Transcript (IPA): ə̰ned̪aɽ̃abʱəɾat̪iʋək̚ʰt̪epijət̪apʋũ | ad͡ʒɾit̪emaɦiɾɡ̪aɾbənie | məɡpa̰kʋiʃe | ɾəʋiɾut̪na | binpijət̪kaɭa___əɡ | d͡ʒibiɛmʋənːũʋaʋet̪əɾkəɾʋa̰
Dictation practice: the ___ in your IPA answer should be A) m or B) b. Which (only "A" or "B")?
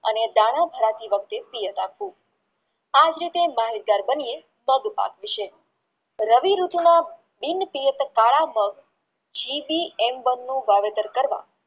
A